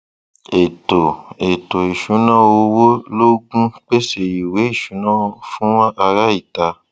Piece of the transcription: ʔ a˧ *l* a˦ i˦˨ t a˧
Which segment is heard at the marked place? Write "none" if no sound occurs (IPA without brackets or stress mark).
ɾ